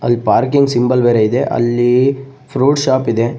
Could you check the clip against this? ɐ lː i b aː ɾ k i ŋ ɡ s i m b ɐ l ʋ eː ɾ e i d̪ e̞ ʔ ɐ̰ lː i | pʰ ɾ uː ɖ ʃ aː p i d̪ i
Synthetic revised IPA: ɐ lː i p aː ɾ k i ŋ ɡ s i m b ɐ l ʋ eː ɾ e i d̪ e̞ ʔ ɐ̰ lː i | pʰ ɾ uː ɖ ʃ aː p i d̪ e